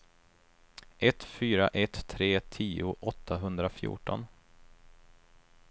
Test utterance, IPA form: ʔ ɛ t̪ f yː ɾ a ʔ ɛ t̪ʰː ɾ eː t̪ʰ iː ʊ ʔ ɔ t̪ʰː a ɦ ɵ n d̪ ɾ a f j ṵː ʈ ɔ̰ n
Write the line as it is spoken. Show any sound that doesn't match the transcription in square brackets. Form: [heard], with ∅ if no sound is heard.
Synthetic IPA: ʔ ɛ t̪ f yː ɾ a ʔ ɛ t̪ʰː ɾ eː t̪ʰ iː ʊ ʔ ɔ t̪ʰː a ɦ ɵ n d̪ ɾ a f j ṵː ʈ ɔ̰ n